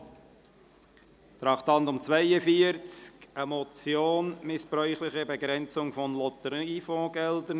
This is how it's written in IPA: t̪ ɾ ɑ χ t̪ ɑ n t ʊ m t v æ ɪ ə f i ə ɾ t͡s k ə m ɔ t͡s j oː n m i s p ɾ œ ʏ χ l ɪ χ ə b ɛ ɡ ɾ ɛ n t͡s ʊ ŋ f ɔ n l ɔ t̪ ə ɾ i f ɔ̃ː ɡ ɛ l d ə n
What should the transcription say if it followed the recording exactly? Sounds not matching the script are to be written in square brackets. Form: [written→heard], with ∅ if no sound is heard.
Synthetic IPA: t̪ ɾ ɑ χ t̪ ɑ n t ʊ m [t→t͡s] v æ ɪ ə f i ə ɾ t͡s k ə m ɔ t͡s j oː n m [i→ɪ] s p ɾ œ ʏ χ l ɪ χ ə b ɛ ɡ ɾ ɛ n t͡s ʊ ŋ f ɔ n l ɔ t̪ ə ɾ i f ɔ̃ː ɡ ɛ l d ə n